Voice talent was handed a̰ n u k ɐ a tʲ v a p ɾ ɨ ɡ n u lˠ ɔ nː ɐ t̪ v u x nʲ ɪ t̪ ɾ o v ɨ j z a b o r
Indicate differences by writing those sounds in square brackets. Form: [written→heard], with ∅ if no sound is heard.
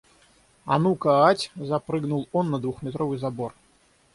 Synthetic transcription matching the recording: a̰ n u k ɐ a tʲ [v→z] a p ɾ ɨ ɡ n u lˠ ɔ nː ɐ [t̪→d̪] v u x [nʲ→mʲ] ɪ t̪ ɾ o v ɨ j z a b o r